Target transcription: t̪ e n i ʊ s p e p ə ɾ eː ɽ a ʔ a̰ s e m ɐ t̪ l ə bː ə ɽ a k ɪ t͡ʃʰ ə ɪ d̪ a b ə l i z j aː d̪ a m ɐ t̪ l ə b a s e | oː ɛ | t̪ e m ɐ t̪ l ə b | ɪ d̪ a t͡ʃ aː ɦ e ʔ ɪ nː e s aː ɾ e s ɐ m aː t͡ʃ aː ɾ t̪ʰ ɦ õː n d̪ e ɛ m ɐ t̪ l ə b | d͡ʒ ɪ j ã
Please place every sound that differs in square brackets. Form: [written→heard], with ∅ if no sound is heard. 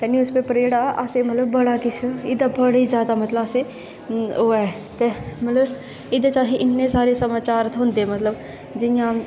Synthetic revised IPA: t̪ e n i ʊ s p e p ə ɾ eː ɽ a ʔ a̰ s e m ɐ t̪ l ə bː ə ɽ a k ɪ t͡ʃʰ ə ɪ d̪ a b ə [l→ɽ] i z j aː d̪ a m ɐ t̪ l ə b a s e | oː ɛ | t̪ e m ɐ t̪ l ə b | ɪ d̪ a t͡ʃ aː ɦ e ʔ ɪ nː e s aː ɾ e s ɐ m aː t͡ʃ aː ɾ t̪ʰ ɦ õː n d̪ e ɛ m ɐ t̪ l ə b | d͡ʒ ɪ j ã